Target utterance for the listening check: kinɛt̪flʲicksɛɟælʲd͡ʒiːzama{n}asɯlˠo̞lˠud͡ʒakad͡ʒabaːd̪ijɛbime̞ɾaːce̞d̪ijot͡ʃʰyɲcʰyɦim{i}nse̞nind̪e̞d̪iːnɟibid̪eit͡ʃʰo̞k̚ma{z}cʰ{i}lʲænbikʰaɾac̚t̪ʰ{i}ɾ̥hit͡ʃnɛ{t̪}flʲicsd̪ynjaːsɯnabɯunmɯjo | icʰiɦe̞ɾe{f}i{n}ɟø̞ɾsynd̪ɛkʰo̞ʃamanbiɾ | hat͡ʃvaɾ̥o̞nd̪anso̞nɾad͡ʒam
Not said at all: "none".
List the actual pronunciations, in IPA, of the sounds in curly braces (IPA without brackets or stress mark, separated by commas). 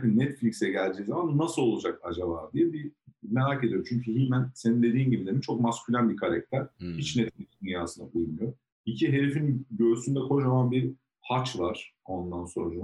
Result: nː, æ, s, y, æ, t̪, f, n